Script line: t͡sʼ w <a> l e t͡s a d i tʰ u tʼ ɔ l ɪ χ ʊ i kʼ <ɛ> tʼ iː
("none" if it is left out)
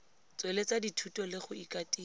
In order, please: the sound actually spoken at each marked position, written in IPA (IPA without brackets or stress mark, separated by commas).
e, a